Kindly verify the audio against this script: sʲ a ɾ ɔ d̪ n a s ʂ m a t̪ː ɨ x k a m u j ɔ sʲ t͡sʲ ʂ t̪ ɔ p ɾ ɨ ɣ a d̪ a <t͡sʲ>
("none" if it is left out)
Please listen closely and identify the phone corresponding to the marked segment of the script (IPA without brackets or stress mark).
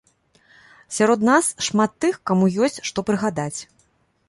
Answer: t͡sʲ